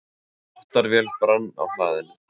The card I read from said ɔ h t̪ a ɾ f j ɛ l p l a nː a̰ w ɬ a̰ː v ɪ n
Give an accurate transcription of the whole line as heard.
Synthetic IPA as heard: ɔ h t̪ a ɾ v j ɛ l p ɾ a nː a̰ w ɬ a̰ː ð ɪ n